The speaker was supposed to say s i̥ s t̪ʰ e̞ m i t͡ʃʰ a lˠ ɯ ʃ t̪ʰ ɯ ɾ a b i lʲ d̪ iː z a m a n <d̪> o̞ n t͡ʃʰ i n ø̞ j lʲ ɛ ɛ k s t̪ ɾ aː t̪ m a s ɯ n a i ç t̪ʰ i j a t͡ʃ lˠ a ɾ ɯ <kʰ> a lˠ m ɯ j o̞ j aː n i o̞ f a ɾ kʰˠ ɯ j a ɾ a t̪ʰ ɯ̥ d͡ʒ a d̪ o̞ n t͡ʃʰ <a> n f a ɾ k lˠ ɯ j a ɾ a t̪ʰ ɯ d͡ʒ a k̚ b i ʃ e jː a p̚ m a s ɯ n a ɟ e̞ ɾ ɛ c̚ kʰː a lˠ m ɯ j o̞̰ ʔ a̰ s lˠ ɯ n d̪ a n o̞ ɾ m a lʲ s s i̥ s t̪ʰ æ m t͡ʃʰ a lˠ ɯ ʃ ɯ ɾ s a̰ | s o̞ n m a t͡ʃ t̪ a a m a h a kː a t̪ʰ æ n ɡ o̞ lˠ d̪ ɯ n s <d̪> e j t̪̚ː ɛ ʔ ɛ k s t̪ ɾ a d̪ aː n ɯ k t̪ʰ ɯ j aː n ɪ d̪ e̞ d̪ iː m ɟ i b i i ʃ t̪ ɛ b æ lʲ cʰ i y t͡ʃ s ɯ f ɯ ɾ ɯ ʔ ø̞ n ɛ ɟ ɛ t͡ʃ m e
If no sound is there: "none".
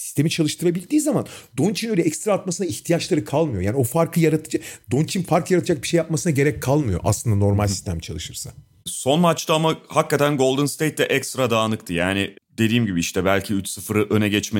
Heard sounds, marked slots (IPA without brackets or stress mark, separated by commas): d̪, kʰ, i, t̪